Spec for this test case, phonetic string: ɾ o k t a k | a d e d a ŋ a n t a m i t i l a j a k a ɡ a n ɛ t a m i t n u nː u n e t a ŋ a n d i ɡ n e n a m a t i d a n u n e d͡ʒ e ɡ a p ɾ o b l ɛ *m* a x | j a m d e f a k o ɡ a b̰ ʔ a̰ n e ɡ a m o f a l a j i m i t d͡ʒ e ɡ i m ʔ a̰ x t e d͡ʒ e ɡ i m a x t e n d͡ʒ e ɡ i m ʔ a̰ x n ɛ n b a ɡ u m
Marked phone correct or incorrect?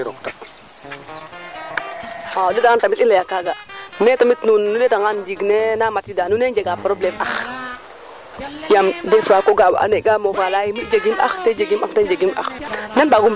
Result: correct